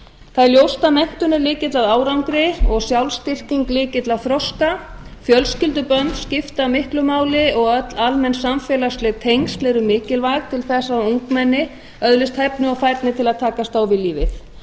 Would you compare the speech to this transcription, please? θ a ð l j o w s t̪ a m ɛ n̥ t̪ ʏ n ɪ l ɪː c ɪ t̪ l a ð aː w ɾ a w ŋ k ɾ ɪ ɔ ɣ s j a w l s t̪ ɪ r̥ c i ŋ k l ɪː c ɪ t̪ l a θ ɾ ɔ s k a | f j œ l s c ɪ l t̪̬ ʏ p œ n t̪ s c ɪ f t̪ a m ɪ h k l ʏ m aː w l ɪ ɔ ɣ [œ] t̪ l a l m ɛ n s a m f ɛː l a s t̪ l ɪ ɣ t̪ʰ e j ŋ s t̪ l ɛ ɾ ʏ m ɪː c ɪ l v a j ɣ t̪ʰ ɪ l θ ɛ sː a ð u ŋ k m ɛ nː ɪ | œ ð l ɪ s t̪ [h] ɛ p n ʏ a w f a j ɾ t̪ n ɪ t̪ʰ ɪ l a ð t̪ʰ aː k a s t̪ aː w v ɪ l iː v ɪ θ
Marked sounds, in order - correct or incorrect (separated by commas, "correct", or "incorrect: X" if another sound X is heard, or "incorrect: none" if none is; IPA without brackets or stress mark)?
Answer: correct, correct